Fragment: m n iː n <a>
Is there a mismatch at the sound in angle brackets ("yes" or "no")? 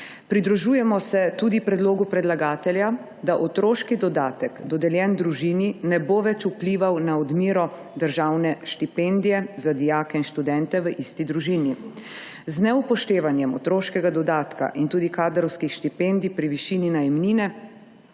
yes